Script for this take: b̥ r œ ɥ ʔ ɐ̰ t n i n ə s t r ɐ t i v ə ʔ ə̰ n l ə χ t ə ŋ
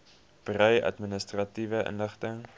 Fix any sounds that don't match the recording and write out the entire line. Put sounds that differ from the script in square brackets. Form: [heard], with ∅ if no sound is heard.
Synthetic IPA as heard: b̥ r œ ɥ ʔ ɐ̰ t [m] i n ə s t r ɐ t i v ə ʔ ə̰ n l ə χ t ə ŋ